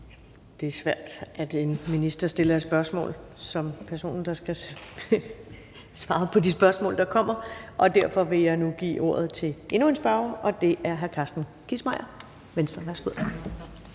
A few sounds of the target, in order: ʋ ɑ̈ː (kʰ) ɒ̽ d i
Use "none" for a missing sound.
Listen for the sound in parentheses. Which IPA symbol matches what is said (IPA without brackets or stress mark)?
pʰ